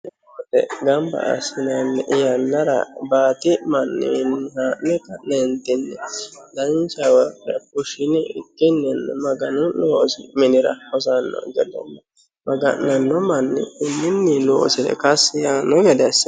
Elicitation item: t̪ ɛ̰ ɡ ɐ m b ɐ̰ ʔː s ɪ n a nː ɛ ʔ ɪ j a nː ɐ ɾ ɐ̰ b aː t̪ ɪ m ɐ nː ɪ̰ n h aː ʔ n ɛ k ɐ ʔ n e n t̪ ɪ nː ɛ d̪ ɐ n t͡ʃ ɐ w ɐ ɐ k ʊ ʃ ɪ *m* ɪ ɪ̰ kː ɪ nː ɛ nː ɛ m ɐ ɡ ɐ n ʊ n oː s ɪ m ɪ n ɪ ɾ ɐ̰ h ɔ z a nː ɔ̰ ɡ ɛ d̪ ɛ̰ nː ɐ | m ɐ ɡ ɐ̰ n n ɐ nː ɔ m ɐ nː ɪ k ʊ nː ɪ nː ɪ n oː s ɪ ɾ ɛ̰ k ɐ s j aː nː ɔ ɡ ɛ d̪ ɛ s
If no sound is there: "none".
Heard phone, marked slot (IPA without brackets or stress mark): n